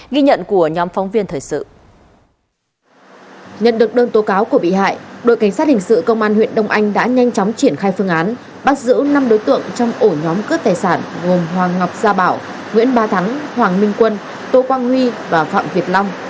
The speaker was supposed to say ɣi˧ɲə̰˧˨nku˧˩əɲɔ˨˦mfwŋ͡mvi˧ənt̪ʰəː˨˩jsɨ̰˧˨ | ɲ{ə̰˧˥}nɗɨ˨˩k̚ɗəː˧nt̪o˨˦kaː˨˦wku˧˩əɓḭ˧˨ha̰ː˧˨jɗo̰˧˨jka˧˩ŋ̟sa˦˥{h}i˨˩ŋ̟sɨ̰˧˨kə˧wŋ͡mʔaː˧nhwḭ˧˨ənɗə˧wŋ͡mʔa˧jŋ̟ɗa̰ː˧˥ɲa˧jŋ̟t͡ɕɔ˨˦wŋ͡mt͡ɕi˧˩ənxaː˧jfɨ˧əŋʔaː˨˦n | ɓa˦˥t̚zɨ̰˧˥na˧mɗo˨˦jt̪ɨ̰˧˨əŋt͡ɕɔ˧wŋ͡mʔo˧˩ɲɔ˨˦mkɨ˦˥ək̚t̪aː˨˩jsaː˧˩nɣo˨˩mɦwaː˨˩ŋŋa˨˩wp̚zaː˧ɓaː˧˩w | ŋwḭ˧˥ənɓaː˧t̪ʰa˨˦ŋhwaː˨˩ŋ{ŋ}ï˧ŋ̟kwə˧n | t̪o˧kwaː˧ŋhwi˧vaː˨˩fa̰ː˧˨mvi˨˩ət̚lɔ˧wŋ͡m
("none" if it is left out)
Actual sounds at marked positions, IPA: ə̰˧˨, h, m

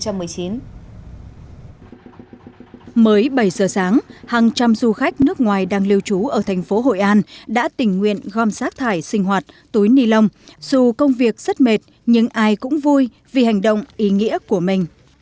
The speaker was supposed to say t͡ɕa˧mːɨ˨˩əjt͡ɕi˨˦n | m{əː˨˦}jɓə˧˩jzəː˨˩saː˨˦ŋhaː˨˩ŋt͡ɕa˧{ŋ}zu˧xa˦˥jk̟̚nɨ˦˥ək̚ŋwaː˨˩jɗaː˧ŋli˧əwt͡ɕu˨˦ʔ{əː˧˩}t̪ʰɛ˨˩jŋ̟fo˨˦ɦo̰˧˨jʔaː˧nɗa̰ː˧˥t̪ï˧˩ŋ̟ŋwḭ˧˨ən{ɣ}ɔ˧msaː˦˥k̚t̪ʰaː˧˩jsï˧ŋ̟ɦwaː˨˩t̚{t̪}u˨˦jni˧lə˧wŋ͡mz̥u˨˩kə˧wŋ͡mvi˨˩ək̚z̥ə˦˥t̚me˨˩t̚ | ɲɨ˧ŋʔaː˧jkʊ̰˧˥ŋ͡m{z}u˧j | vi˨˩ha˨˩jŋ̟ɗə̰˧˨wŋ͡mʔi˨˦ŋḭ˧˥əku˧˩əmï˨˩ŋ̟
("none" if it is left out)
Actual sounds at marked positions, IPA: əː˨˦, m, əː˧˩, ɣ, t̪, v

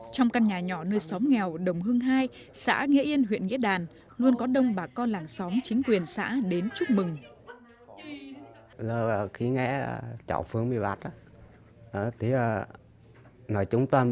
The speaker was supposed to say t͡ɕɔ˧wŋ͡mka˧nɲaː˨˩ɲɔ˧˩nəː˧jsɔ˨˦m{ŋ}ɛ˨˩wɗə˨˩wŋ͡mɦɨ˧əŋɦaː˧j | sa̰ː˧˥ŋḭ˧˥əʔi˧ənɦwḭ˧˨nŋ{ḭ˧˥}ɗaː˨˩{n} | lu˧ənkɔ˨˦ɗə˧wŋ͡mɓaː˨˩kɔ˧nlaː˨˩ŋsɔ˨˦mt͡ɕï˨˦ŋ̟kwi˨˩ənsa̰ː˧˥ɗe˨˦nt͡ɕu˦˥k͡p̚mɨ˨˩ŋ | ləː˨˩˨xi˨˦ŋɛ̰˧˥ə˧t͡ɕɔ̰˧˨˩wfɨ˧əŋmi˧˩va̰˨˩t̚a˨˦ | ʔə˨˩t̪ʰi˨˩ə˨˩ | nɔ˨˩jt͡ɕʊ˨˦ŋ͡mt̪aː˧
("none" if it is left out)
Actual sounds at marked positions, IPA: ŋ, ḭ˧˥, n

